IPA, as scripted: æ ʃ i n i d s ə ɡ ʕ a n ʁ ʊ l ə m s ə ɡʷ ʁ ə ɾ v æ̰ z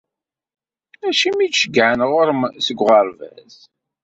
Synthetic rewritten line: æ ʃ i m i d ʃ ə ɡ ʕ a n ʁ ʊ ɾ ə m s ə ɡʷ ʁ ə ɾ v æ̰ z